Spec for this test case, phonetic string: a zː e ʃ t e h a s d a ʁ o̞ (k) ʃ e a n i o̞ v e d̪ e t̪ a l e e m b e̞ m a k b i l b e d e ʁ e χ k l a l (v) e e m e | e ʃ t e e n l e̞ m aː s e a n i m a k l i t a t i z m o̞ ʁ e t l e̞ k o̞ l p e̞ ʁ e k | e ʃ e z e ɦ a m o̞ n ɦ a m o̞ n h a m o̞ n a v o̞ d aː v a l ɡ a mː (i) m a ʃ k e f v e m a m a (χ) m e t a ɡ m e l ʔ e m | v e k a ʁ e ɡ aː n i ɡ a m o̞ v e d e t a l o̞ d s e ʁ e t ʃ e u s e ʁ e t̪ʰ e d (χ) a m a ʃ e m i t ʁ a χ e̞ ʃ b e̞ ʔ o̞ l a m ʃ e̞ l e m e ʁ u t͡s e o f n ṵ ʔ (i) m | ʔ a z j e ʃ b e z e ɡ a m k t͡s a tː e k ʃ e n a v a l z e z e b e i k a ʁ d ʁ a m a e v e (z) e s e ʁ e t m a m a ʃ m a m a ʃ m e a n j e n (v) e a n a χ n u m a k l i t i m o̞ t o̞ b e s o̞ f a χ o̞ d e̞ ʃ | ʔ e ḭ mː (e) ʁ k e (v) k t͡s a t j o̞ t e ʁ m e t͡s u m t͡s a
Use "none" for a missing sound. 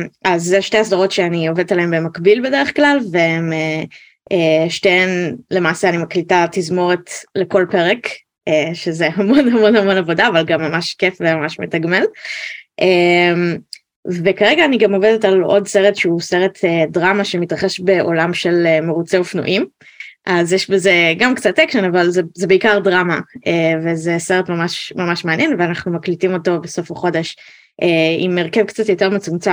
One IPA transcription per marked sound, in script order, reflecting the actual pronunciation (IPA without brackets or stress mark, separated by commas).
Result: t, v, a, ʃ, ʁ, i, z, v, e, v